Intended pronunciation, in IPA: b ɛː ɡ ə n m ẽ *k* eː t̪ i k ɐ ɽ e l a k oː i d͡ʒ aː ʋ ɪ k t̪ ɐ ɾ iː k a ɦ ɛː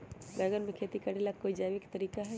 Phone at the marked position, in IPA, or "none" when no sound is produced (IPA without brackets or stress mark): kʰ